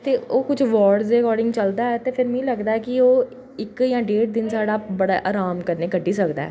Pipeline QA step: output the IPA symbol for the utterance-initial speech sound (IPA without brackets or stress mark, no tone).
t̪